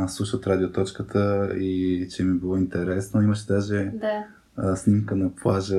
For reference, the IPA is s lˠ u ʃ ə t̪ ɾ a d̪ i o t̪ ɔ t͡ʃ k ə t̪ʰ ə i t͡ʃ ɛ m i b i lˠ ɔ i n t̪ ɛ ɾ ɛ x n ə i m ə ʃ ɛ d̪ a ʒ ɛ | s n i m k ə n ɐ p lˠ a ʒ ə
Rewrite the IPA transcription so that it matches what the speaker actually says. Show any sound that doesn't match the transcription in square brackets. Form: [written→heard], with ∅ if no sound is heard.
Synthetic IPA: s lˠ u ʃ ə t̪ ɾ a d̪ i o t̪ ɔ t͡ʃ k ə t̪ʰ ə i t͡ʃ ɛ m i b i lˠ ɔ i n t̪ ɛ ɾ ɛ [x→s] n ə i m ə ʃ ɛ d̪ a ʒ ɛ | s n i m k ə n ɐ p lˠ a ʒ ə